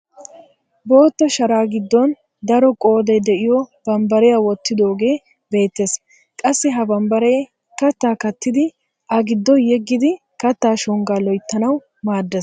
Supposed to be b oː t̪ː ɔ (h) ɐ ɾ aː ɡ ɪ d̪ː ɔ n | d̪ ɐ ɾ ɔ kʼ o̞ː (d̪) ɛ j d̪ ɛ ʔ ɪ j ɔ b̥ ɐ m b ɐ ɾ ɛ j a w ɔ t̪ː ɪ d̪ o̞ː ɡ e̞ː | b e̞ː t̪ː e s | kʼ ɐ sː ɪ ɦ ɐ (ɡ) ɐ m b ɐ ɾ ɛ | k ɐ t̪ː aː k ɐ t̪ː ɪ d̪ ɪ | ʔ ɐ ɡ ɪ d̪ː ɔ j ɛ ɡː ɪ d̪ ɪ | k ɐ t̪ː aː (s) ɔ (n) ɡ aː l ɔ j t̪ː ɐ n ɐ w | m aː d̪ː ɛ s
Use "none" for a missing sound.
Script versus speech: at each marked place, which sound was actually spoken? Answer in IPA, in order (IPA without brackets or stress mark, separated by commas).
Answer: ʃ, d̪, b, ʃ, ŋ